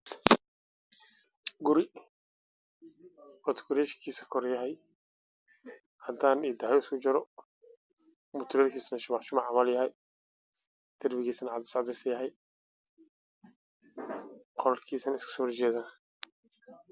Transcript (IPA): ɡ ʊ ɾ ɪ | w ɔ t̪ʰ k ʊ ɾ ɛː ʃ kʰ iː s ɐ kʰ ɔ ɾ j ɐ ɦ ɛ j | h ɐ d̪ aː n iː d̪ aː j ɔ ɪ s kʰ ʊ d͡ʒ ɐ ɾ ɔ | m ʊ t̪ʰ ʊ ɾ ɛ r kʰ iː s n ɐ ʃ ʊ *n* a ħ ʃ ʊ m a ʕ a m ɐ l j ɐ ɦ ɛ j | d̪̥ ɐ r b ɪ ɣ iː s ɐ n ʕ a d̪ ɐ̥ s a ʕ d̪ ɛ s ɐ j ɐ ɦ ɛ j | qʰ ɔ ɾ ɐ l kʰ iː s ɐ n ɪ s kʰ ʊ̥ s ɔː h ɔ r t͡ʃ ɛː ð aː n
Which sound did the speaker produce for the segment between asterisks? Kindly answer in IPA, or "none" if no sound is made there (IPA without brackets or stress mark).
m